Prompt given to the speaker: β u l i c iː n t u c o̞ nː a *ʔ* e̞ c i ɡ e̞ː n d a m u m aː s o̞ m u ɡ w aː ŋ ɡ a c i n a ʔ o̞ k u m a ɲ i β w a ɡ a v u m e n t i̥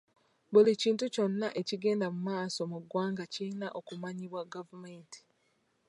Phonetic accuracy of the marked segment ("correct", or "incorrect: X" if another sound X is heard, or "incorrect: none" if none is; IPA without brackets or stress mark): correct